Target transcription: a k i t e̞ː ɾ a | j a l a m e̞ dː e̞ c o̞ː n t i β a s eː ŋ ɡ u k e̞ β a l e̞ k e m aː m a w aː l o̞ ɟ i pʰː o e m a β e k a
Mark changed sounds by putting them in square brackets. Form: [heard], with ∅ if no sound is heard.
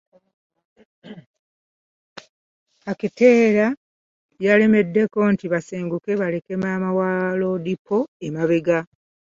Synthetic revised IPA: a k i t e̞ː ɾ a | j a l [e] m e̞ dː e̞ [k] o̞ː n t i β a s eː ŋ ɡ u k e̞ β a l e̞ k e m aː m a w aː l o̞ [d] i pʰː o e m a β e [ɡ] a